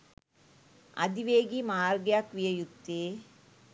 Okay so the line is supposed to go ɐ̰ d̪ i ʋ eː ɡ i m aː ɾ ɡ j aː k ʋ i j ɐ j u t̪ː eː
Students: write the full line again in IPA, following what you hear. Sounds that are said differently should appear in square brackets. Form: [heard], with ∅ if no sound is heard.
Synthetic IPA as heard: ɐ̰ d̪ i ʋ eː ɡ i m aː ɾ ɡ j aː k ʋ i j ɐ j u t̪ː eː

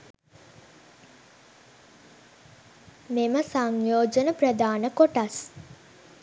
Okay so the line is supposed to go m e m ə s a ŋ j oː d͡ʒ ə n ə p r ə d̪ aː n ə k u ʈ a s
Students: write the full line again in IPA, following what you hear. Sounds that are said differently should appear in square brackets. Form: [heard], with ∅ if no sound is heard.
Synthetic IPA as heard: m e m ə s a ŋ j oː d͡ʒ ə n ə p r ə d̪ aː n ə k [o] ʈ a s

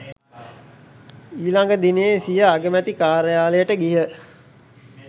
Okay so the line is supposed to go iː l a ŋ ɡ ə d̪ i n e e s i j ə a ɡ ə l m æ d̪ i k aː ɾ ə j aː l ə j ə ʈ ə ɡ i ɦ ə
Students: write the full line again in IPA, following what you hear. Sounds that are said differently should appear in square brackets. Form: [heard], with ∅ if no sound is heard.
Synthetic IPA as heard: iː l a ŋ ɡ ə d̪ i n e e s i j ə a ɡ ə [∅] m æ [t̪] i k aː ɾ ə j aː l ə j ə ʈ ə ɡ i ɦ ə

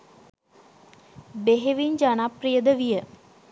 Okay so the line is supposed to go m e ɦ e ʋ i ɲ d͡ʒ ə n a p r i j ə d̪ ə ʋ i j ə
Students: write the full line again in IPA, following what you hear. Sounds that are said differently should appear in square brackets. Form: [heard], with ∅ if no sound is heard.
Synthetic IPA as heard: [b] e ɦ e ʋ i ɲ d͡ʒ [a] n a p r i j ə d̪ ə ʋ i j ə

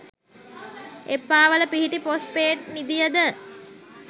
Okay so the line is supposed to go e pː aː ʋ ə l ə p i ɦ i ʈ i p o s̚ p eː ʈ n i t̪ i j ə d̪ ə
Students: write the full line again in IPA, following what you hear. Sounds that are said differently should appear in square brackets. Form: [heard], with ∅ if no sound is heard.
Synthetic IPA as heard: e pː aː ʋ ə l ə p i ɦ i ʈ i p o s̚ p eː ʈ n i [d̪] i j ə d̪ ə

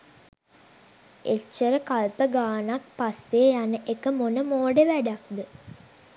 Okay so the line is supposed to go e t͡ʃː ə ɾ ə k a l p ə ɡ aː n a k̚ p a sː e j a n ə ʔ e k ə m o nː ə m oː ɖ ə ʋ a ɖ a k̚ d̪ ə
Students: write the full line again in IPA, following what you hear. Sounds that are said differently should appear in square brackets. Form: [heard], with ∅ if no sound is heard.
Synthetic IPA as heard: e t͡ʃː ə ɾ ə k a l p ə ɡ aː n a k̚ p a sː e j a n ə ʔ e k ə m o [n] ə m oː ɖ ə ʋ [æ] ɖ a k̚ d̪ ə

